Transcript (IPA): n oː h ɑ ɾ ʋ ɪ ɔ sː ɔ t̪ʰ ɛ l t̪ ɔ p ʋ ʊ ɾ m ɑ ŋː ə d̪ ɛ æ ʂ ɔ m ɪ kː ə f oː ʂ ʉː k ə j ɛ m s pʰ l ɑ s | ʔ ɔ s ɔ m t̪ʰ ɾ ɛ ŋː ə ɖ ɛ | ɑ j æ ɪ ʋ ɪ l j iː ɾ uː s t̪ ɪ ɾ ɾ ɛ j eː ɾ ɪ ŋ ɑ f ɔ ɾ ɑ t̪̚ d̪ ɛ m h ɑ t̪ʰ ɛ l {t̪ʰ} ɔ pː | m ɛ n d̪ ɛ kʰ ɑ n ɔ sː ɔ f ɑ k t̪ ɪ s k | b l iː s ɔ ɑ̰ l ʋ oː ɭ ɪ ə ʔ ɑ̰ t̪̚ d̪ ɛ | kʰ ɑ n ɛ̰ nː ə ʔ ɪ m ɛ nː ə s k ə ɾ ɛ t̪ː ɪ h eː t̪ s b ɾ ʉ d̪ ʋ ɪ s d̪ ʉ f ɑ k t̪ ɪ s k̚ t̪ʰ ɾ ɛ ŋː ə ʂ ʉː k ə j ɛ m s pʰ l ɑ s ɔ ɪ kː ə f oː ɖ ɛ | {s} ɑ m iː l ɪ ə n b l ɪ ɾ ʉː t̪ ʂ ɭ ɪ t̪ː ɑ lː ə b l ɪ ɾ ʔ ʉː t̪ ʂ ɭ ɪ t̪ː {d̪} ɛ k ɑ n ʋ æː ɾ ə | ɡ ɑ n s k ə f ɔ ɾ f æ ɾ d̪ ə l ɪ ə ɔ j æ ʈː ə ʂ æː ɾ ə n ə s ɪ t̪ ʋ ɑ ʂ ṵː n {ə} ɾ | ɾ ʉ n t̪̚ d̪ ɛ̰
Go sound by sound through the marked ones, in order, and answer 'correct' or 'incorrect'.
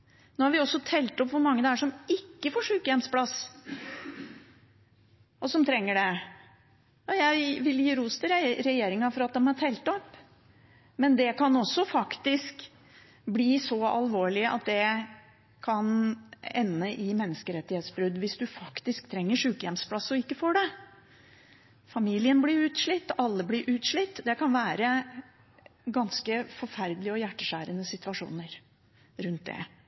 incorrect, incorrect, correct, correct

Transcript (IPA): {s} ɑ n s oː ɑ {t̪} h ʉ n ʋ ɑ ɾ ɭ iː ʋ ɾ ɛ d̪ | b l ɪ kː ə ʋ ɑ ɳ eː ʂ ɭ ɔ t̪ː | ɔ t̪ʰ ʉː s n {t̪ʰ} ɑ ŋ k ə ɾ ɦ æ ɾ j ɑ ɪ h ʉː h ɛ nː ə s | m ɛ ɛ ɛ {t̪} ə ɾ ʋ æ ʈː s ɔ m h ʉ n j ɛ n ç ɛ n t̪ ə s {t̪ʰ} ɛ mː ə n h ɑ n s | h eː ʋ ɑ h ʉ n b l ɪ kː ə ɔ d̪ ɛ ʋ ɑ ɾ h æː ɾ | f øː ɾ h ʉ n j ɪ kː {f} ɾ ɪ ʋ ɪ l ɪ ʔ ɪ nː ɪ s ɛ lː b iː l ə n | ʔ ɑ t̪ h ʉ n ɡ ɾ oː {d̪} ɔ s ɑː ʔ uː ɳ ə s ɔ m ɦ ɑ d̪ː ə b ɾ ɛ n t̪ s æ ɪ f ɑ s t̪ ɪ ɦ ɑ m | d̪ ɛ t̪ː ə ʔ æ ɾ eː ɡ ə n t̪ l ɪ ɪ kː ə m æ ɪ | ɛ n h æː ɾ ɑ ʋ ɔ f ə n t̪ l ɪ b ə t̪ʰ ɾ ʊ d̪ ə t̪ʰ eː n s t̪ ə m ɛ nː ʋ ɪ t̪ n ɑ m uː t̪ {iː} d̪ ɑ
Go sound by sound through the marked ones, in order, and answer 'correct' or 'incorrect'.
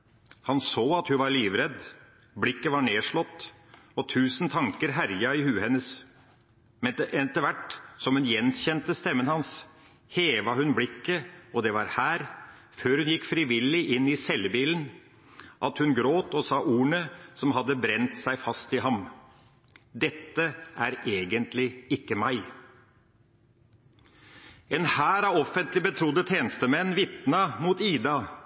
incorrect, correct, correct, correct, incorrect, correct, incorrect, correct

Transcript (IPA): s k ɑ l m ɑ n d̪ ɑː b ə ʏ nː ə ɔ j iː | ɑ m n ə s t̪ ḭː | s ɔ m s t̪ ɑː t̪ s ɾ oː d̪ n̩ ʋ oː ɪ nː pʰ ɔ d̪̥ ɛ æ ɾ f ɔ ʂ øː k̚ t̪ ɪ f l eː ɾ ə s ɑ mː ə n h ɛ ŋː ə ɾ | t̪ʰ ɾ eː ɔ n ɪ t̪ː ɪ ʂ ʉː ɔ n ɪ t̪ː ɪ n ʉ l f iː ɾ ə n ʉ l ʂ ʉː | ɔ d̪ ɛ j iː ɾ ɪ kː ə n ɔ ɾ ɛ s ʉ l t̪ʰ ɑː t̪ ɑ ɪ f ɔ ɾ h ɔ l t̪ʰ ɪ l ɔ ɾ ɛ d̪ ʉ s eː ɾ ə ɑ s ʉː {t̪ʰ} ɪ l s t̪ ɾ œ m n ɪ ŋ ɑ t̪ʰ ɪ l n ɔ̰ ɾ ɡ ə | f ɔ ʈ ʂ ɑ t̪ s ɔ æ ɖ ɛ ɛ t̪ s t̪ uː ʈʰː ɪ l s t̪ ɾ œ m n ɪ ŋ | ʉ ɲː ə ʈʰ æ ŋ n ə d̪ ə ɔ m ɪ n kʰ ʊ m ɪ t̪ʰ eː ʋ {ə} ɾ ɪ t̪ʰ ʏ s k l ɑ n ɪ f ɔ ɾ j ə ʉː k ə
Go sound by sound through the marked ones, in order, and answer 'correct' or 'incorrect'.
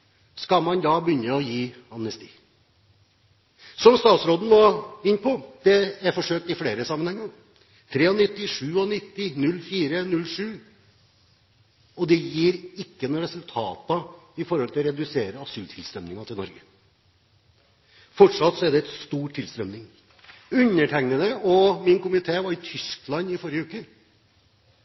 correct, incorrect

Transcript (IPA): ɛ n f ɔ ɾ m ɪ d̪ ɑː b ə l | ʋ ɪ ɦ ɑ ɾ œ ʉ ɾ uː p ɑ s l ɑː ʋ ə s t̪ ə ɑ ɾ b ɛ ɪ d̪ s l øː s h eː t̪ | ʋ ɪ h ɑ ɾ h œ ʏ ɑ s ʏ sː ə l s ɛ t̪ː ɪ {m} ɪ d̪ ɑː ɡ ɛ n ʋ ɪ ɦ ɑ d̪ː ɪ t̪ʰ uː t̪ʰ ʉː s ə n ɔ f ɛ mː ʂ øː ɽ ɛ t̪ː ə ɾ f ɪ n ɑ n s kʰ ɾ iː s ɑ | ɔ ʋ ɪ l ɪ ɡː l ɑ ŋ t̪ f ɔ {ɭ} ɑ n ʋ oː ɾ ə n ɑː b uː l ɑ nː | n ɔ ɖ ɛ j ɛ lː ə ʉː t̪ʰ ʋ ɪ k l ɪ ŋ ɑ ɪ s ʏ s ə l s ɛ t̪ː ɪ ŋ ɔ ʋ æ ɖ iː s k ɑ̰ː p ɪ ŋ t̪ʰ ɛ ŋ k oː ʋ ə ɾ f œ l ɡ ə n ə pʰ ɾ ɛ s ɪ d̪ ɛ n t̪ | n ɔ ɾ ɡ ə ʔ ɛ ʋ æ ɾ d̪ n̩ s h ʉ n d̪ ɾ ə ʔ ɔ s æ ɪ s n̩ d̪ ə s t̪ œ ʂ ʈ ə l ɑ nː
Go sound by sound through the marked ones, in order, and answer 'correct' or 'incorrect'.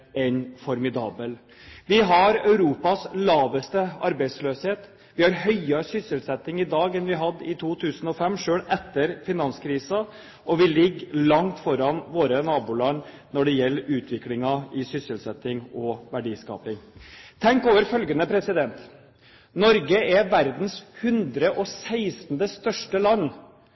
incorrect, incorrect

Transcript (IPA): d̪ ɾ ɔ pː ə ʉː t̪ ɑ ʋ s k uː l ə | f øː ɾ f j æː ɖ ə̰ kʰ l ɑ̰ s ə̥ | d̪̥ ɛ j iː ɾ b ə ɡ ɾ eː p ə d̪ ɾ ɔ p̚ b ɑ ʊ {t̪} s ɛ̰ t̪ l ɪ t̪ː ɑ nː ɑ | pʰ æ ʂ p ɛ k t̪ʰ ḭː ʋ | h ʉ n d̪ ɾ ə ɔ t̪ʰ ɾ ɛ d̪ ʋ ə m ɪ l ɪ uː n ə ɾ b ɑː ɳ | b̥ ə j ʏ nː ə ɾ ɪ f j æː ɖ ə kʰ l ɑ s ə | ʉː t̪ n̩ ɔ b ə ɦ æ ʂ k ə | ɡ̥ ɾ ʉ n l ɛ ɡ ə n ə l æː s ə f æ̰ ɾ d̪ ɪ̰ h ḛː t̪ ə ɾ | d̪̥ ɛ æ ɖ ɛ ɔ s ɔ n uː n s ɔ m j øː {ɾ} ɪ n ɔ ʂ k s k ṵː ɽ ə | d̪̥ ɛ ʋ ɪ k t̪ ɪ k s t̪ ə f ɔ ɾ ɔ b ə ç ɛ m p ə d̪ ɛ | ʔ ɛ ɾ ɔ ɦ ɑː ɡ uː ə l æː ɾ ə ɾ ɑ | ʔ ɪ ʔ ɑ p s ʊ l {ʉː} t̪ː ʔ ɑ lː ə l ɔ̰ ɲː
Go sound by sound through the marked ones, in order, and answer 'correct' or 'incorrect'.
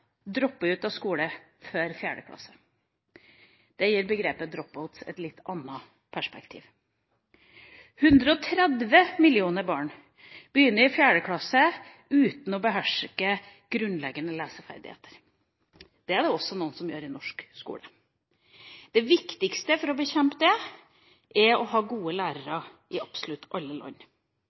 correct, correct, incorrect

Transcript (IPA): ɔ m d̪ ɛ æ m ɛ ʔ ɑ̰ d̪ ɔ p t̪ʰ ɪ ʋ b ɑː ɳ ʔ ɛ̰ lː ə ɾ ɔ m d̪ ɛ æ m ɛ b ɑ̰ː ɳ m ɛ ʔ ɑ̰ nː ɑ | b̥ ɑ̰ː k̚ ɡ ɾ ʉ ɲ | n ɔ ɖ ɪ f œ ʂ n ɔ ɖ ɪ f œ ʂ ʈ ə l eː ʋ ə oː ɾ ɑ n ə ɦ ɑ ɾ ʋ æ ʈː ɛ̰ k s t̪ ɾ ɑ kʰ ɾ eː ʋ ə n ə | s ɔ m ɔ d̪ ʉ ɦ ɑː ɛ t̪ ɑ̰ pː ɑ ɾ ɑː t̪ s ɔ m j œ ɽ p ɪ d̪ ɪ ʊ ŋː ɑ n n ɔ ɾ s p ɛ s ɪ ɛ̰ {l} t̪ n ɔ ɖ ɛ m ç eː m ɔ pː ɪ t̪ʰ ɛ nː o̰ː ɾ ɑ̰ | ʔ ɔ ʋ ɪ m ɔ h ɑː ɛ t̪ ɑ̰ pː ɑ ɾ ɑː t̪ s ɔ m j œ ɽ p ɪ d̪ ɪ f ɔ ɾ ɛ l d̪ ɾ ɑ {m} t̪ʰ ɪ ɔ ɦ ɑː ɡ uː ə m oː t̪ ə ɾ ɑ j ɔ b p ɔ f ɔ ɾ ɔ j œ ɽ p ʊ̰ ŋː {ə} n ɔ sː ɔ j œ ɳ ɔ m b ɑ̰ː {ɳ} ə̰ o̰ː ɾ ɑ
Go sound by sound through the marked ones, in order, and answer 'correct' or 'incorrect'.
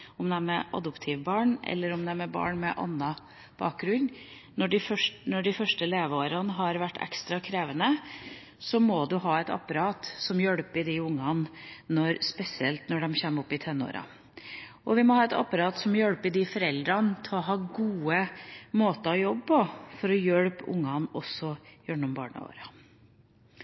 correct, incorrect, incorrect, correct

